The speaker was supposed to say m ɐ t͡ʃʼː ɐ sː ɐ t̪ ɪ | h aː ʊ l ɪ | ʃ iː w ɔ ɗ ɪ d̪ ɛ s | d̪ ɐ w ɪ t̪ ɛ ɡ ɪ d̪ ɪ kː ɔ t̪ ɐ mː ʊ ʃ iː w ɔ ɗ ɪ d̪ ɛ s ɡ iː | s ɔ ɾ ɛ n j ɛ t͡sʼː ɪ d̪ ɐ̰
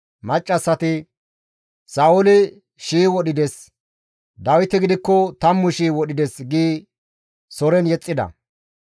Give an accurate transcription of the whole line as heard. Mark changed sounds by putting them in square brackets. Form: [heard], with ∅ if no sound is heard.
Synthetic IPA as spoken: m ɐ t͡ʃʼː ɐ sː ɐ t̪ ɪ | [s] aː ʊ l ɪ | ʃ iː w ɔ ɗ ɪ d̪ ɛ s | d̪ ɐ w ɪ t̪ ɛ ɡ ɪ d̪ ɪ kː ɔ t̪ ɐ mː ʊ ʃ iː w ɔ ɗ ɪ d̪ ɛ s ɡ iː | s ɔ ɾ ɛ n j ɛ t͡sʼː ɪ d̪ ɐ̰

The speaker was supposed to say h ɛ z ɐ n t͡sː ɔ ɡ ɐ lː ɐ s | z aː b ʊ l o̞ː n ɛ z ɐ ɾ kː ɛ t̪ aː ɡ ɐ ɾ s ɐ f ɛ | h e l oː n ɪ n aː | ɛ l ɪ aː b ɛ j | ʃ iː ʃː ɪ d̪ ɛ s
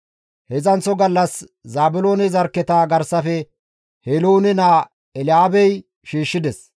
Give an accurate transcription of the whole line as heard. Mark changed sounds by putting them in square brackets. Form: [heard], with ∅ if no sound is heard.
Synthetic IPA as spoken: h ɛ z ɐ n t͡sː ɔ ɡ ɐ lː ɐ s | z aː b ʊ l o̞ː n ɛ z ɐ ɾ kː ɛ t̪ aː ɡ ɐ ɾ s ɐ f ɛ | h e l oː n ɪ n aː | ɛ l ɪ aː b ɛ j | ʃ iː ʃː ɪ d̪ ɛ s

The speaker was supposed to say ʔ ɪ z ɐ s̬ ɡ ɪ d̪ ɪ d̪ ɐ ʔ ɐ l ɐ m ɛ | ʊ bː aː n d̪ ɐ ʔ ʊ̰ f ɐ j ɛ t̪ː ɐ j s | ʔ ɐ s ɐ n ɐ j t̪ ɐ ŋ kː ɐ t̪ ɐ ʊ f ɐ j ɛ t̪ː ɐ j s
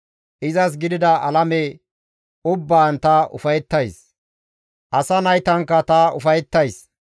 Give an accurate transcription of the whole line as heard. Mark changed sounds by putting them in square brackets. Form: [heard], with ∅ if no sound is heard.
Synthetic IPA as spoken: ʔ ɪ z ɐ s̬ ɡ ɪ d̪ ɪ d̪ ɐ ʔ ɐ l ɐ m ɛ | ʊ bː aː n [t̪] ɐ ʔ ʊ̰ f ɐ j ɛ t̪ː ɐ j s | ʔ ɐ s ɐ n ɐ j t̪ ɐ ŋ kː ɐ t̪ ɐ ʊ f ɐ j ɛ t̪ː ɐ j s

